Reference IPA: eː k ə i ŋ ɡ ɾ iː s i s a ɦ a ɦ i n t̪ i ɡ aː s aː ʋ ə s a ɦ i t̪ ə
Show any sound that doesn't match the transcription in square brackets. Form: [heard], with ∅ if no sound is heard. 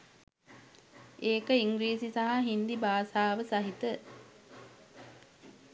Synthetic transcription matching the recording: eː k ə i ŋ ɡ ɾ iː s i s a ɦ a ɦ i n [d̪] i [b] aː s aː ʋ ə s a ɦ i t̪ ə